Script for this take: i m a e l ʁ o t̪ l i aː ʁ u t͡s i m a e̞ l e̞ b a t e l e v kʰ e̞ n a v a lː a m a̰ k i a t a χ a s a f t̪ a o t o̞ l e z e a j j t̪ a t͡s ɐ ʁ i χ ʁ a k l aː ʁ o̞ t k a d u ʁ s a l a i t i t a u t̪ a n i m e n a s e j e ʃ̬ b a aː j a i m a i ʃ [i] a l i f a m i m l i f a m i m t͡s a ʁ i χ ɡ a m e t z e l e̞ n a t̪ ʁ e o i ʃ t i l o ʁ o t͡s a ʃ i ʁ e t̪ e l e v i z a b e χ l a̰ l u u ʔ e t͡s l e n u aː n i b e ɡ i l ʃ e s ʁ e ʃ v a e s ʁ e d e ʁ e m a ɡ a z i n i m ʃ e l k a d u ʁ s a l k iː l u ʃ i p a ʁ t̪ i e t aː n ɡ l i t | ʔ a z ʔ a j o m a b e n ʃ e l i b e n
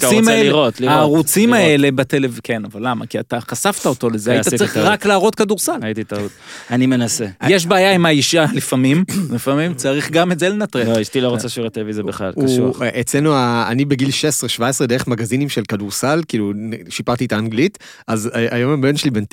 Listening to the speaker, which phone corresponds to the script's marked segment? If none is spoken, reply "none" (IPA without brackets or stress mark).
i